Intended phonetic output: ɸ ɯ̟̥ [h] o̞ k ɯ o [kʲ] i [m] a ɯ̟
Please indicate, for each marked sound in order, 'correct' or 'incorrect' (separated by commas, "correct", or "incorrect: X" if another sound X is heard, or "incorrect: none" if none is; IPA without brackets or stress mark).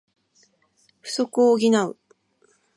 incorrect: s, incorrect: ɡʲ, incorrect: n